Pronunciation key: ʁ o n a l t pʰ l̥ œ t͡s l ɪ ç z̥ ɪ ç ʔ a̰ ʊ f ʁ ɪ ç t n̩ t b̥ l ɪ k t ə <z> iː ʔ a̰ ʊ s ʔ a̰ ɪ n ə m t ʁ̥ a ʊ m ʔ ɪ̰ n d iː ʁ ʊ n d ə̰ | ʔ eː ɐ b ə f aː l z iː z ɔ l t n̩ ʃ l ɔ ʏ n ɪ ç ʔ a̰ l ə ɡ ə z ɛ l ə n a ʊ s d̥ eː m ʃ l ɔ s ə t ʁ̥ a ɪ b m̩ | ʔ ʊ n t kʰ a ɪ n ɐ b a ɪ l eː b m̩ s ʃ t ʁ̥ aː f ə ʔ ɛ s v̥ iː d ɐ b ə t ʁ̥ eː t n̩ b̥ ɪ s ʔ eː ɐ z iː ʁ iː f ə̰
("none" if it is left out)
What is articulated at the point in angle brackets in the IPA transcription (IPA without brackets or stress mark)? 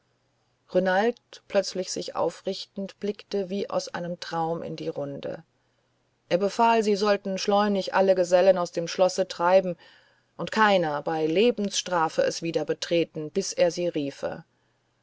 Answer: v